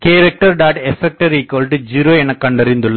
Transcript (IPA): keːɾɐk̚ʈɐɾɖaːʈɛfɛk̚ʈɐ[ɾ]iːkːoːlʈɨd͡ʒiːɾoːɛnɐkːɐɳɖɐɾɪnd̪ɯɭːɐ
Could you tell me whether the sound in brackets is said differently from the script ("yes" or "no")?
no